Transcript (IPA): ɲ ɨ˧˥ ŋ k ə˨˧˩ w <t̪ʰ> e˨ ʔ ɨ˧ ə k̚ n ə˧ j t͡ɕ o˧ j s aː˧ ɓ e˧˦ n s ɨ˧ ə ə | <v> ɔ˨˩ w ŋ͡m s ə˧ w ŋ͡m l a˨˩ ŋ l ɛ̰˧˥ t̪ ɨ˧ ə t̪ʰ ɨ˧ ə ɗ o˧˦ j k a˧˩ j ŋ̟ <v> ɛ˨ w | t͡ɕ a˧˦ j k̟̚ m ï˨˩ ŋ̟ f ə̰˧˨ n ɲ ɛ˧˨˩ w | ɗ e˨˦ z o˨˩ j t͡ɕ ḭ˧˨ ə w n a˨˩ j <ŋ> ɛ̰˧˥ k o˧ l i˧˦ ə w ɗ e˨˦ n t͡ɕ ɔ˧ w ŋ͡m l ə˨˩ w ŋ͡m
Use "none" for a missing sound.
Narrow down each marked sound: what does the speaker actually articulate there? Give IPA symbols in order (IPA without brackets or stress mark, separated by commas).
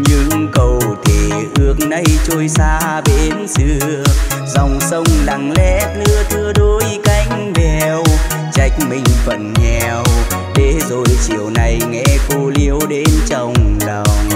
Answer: t̪ʰ, z, v, ŋ